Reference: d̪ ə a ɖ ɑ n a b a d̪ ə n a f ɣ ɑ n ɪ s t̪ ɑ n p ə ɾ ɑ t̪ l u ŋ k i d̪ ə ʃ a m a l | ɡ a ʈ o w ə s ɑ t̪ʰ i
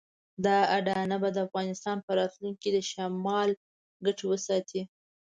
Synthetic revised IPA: d̪ ɑ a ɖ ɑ n a b a d̪ ə a f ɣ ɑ n ɪ s t̪ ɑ n p ə ɾ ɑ t̪ l u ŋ k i d̪ ə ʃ a m ɑ l | ɡ a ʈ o w ə s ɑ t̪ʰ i